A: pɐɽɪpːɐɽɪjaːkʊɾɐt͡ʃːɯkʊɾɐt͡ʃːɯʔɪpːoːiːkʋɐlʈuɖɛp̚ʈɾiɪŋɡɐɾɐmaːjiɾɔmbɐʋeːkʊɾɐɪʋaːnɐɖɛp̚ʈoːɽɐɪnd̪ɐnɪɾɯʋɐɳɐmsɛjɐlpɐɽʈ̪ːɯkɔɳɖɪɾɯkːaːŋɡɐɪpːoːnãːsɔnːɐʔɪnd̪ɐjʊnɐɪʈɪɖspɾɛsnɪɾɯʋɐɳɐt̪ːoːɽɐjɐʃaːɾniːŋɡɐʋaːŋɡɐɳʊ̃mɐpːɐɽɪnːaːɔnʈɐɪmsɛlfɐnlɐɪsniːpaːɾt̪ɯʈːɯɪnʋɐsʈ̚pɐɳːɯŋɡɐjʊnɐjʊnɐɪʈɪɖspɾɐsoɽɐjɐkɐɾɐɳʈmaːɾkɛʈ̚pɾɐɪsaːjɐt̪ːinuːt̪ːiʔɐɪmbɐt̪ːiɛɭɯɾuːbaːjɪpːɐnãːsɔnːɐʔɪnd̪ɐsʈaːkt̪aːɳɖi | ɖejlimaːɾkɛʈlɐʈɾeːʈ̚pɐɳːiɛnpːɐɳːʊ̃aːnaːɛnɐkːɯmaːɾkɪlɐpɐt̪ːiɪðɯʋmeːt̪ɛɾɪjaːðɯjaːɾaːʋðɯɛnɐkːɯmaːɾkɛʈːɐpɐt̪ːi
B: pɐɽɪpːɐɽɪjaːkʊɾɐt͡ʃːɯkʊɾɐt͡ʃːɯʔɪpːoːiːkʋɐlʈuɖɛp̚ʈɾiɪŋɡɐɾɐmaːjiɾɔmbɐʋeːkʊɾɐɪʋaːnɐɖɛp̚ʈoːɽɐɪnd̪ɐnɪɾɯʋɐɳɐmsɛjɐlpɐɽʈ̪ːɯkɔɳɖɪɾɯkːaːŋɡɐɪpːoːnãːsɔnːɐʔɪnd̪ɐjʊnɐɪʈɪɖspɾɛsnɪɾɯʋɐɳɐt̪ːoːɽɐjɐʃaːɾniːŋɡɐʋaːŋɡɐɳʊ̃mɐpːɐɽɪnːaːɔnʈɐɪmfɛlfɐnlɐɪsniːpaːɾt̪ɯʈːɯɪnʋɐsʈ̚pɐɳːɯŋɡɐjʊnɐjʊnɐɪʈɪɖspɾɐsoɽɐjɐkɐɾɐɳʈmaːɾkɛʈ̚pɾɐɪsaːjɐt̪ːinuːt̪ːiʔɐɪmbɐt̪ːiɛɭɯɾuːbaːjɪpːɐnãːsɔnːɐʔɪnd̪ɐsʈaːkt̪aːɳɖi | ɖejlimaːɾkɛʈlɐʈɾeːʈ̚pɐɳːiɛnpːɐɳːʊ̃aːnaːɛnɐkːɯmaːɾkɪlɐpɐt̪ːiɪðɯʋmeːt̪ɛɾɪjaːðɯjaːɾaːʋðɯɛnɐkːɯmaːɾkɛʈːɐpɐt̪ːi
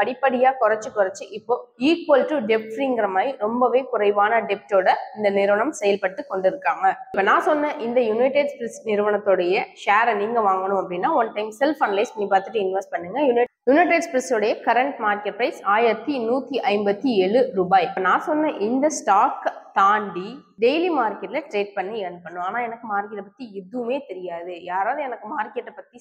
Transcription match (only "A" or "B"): A